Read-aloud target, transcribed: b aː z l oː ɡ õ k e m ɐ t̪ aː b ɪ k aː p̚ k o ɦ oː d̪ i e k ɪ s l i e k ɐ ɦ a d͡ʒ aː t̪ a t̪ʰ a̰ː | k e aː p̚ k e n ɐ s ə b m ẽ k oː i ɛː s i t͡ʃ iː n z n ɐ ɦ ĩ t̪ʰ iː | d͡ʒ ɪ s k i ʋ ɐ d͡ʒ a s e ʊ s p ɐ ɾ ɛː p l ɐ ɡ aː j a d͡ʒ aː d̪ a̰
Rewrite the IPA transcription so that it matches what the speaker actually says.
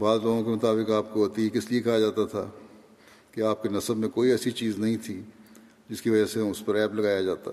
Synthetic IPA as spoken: b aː z l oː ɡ õ k e m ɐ t̪ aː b ɪ k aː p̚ k o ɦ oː t̪ i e k ɪ s l i e k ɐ ɦ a d͡ʒ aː t̪ a t̪ʰ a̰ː | k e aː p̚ k e n ɐ s ə b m ẽ k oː i ɛː s i t͡ʃ iː z n ɐ ɦ ĩ t̪ʰ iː | d͡ʒ ɪ s k i ʋ ɐ d͡ʒ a s e ʊ s p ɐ ɾ ɛː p l ɐ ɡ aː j a d͡ʒ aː t̪ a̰